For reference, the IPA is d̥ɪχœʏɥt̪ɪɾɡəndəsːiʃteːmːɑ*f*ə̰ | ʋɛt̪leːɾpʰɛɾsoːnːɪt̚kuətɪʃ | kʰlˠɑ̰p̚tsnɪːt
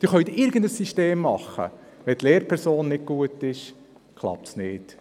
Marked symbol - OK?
no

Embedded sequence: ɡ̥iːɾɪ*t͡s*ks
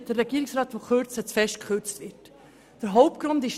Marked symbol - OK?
no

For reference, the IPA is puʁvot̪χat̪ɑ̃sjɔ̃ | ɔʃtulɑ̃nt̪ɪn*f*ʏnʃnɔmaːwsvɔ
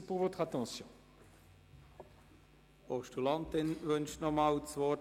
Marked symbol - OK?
no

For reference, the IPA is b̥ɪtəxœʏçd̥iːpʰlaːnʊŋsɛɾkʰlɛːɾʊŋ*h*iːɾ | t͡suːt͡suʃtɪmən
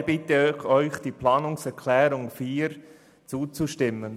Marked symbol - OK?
no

